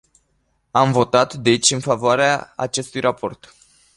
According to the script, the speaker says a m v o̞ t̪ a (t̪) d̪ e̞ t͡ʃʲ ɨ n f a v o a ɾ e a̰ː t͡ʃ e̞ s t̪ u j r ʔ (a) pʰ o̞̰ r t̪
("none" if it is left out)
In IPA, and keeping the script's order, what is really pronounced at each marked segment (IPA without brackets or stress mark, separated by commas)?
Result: t̪, a